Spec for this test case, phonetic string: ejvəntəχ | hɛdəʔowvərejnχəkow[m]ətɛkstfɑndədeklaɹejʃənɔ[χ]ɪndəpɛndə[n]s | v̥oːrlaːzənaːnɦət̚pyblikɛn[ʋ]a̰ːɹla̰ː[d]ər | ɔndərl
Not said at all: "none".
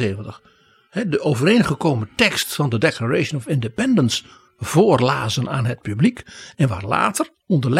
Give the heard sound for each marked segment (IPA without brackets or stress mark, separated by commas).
m, f, n, ʋ, t